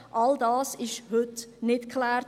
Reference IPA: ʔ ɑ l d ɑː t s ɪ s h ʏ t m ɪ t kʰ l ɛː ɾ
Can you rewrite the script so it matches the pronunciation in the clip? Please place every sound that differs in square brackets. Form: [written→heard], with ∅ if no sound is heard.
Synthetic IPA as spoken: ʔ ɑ l d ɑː [t→∅] s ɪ [s→ʃ] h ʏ t [m→n] ɪ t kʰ l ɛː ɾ